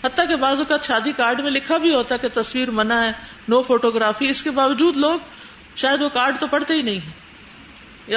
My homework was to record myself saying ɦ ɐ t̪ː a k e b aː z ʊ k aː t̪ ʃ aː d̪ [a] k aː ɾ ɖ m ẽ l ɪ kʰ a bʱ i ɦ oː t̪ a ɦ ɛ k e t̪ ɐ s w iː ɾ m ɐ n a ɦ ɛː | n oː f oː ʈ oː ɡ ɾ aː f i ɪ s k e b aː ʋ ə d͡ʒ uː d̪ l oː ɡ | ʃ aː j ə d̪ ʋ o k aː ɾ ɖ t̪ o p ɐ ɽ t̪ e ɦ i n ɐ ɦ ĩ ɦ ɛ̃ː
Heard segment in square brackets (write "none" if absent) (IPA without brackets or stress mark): i